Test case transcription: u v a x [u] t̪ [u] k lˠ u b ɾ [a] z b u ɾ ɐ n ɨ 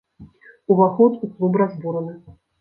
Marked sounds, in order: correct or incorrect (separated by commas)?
incorrect, correct, correct